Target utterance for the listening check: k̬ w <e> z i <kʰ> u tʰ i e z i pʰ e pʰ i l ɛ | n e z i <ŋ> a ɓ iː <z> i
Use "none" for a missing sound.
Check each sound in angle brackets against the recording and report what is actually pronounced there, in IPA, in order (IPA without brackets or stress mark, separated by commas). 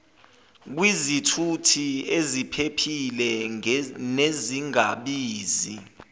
i, tʰ, ŋ, z